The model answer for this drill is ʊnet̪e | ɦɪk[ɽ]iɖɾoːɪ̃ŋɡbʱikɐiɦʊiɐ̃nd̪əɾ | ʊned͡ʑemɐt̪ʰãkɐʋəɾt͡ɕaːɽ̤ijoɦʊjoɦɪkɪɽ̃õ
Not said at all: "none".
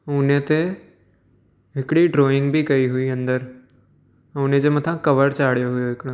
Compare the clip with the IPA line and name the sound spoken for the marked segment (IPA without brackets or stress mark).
ɽ